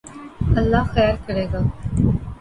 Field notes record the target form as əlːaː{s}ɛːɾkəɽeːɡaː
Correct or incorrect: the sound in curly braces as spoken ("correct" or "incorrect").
incorrect